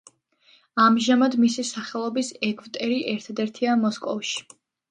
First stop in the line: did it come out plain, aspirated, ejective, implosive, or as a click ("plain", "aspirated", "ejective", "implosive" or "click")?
plain